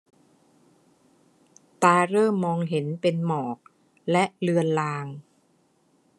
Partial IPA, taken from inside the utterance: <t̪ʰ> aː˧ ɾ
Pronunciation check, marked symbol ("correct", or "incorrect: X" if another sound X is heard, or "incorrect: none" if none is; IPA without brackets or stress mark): incorrect: t̪